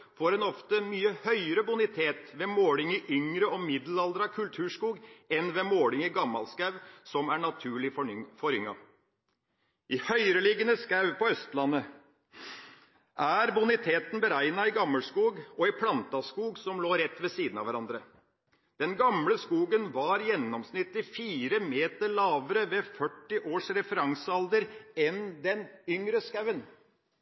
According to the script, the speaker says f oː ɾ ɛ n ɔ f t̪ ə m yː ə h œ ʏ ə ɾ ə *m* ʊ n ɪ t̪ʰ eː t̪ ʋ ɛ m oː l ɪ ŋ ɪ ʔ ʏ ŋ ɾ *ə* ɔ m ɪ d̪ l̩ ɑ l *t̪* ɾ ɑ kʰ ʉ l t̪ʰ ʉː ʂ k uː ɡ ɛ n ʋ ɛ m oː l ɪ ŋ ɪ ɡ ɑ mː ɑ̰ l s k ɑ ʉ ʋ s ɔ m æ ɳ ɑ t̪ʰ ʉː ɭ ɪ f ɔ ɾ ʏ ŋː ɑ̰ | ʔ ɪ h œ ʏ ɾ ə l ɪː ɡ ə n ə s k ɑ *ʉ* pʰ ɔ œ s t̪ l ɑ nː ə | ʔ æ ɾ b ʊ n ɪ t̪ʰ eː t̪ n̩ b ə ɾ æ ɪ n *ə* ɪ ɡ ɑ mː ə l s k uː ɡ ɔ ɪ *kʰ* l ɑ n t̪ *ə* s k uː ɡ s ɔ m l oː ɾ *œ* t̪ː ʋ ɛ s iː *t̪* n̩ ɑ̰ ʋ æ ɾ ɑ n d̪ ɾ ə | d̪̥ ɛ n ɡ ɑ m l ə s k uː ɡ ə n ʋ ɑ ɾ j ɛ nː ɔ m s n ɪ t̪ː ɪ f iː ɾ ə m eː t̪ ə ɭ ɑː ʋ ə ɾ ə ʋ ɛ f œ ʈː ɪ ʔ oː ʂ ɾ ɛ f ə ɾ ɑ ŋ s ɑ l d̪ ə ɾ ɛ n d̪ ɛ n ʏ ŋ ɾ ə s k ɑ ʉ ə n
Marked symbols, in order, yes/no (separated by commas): no, yes, no, yes, no, no, no, no, no